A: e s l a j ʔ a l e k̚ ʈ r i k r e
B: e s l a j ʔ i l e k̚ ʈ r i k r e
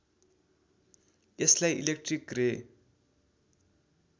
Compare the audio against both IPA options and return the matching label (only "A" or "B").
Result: B